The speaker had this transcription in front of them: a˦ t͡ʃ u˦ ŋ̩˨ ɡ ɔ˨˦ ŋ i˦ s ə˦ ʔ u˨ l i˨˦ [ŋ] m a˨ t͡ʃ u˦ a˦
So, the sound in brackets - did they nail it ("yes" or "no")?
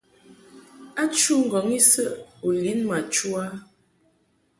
no